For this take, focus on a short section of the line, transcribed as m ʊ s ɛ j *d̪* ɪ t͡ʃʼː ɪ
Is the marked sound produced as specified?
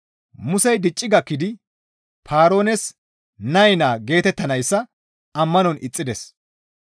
yes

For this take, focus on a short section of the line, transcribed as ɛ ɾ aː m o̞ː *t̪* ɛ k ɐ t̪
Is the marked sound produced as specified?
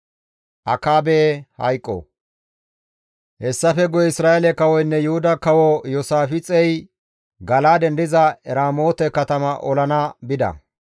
yes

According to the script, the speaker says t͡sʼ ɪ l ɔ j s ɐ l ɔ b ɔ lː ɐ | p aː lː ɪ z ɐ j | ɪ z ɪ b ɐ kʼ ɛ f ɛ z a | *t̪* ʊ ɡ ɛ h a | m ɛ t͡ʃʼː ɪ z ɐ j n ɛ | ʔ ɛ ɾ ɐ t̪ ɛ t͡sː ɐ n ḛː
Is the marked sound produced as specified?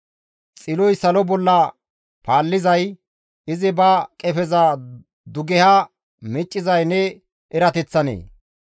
no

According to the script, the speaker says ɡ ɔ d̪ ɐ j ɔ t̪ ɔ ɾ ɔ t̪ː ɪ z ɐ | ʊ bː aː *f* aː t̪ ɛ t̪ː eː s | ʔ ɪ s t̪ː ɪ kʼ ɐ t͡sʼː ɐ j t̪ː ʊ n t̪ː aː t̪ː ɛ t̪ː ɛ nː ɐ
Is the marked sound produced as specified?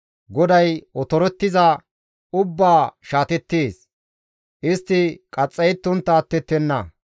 no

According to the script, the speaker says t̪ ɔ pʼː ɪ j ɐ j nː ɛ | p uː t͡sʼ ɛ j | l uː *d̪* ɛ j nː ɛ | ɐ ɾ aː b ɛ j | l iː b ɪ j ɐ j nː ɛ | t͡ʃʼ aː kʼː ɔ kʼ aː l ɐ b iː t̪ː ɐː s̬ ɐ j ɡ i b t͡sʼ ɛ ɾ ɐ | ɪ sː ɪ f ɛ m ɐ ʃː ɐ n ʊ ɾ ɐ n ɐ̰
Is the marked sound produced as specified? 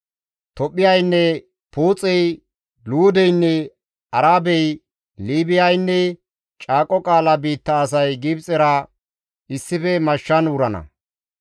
yes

